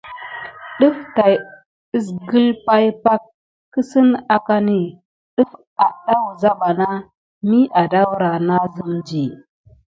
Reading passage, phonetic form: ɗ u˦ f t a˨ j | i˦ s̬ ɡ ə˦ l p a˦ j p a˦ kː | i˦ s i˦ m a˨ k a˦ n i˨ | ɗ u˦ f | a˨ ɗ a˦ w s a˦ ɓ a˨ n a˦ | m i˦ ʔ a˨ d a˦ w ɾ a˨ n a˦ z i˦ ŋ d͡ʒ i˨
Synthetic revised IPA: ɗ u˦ f t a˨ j | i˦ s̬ ɡ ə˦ l p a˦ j p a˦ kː | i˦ s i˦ n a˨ k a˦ n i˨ | ɗ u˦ f | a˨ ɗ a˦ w z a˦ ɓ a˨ n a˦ | m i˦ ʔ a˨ d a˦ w ɾ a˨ n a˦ z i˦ m d͡ʒ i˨